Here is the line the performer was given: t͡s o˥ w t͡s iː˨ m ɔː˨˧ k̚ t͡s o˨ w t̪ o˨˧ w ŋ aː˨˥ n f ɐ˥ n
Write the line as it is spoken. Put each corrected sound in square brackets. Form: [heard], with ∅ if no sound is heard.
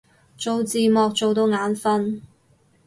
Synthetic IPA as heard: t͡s [o˨] w t͡s iː˨ m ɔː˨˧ k̚ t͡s o˨ w t̪ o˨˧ w ŋ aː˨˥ n f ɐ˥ n